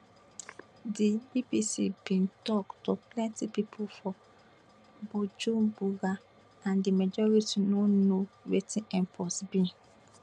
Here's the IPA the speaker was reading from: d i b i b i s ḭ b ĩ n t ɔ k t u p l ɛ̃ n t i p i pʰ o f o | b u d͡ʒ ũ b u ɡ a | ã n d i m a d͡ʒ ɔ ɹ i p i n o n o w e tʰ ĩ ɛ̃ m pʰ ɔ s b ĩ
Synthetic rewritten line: d i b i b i s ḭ b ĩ n t ɔ k t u p l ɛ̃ n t i p i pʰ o f ɔ | b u d͡ʒ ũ b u ɡ a | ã n d i m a d͡ʒ ɔ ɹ i t i n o n o w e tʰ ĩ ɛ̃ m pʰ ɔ s b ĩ